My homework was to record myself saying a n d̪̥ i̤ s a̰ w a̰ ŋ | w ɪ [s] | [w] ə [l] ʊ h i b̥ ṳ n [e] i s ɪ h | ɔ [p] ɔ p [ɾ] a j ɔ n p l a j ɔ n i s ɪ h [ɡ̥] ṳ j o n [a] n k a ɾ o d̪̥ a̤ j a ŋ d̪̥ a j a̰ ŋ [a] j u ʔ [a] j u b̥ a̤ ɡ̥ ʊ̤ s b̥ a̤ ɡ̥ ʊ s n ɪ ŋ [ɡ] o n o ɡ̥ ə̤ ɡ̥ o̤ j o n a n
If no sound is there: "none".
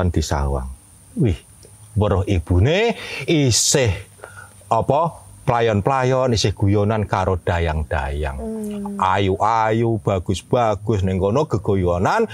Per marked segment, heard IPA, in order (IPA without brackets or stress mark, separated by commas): h, w, ɾ, e, p, l, ɡ̥, a, a, a, k